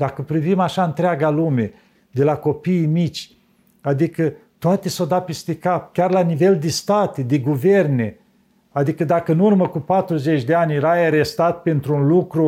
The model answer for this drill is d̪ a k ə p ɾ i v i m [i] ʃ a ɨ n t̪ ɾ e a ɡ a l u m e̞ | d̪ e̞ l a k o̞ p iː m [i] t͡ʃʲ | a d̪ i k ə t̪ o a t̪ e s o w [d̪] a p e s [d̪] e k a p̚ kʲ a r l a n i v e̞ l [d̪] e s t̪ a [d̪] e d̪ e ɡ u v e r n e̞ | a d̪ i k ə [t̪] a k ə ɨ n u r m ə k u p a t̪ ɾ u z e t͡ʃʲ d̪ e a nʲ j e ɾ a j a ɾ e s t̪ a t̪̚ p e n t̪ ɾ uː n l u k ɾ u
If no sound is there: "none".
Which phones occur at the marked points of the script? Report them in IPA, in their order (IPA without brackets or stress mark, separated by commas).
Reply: a, i, d̪, t̪, d̪, t̪, d̪